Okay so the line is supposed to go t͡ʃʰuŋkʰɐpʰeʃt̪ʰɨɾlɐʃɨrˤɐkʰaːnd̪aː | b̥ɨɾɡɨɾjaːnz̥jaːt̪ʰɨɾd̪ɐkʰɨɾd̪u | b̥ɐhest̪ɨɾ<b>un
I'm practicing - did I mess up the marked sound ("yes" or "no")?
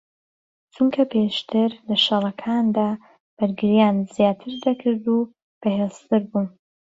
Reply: no